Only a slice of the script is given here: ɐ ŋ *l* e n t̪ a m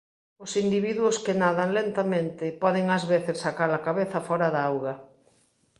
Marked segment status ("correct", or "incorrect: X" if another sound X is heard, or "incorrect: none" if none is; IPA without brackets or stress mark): correct